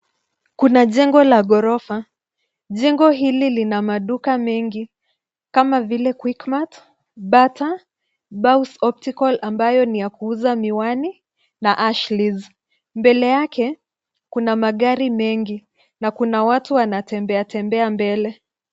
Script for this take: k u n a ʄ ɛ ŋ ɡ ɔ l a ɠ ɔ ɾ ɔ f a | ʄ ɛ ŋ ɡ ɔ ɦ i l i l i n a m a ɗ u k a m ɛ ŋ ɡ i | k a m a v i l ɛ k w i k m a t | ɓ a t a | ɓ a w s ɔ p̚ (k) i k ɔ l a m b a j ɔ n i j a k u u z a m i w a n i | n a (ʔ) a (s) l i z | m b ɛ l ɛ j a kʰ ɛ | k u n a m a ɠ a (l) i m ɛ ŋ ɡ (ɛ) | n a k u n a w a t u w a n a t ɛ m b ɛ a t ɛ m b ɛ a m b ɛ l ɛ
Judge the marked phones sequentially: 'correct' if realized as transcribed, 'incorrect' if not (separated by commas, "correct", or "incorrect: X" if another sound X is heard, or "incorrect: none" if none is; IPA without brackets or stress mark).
incorrect: t, correct, incorrect: ʃ, incorrect: ɾ, incorrect: i